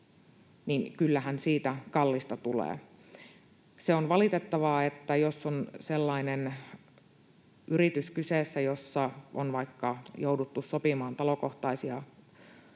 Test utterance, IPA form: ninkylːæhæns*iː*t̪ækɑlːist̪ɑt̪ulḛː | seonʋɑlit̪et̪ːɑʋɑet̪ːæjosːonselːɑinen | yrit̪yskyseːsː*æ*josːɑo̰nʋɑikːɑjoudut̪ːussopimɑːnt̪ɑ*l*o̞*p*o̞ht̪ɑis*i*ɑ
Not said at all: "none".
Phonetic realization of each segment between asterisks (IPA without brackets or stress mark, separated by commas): iː, æ, l, k, i